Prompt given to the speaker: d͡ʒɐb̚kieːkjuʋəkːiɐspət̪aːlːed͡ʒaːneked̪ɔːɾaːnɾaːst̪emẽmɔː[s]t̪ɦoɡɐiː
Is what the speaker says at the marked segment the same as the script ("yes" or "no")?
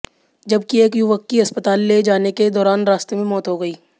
no